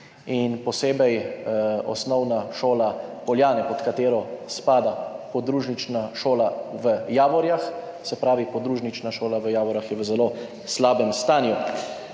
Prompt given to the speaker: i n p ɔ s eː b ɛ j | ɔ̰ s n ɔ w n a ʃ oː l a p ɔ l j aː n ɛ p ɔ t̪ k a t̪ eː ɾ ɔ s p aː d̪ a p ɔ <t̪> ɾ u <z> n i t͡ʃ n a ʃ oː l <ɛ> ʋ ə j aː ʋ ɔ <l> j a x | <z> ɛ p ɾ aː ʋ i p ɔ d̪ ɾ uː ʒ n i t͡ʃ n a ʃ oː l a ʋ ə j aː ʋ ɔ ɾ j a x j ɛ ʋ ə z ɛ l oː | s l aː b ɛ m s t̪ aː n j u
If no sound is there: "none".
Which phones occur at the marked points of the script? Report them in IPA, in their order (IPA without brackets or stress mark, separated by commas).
d̪, ʒ, a, ɾ, s